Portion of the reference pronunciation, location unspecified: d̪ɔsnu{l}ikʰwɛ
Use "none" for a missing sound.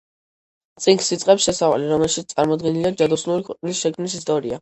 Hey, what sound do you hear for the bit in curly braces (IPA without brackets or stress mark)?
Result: ɾ